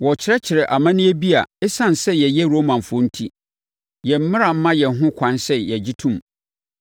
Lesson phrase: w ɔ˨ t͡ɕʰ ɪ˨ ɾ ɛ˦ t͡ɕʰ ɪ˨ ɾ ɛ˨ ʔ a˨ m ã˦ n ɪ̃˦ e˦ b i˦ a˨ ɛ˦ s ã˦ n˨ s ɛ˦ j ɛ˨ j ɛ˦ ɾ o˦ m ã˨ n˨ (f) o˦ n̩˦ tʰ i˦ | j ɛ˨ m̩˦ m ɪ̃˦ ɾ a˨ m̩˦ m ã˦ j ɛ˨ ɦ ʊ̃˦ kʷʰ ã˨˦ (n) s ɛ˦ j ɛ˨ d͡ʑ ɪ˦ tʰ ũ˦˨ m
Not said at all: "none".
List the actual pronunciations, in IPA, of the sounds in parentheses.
f, n

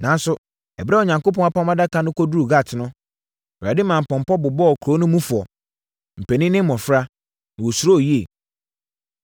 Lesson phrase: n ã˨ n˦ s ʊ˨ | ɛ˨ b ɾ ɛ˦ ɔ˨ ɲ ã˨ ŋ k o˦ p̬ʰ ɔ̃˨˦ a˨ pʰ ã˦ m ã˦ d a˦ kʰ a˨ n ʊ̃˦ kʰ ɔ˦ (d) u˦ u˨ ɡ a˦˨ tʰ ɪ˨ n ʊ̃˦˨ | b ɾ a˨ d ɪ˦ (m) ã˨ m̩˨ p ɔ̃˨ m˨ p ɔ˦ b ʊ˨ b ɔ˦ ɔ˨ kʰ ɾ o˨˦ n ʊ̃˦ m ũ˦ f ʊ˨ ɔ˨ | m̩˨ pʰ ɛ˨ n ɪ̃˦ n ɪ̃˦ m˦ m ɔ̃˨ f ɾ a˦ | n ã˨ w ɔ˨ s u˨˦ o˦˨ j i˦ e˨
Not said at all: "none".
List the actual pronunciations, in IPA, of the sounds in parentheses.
d, m

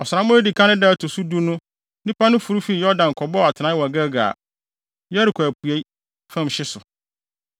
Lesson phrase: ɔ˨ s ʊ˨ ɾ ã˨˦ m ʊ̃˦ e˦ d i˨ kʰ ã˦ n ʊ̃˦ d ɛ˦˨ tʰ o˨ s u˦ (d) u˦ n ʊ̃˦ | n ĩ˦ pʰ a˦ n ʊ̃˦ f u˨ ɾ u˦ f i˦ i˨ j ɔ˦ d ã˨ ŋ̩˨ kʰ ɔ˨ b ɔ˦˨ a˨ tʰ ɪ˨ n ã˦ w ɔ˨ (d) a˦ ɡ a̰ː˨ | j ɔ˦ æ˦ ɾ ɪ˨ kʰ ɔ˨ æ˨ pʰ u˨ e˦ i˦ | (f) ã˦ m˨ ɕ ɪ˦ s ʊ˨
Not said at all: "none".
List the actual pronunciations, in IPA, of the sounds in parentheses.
d, ɡ, f

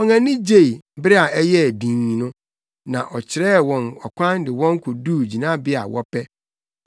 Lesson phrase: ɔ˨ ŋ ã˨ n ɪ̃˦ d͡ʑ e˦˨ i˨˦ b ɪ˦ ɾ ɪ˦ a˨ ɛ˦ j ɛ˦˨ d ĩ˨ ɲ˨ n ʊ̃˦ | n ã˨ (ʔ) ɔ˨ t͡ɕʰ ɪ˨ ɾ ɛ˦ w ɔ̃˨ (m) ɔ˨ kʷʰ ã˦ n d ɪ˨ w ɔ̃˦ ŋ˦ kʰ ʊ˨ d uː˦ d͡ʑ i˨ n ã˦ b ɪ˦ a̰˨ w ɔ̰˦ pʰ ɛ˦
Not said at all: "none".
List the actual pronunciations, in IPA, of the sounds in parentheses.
ʔ, n

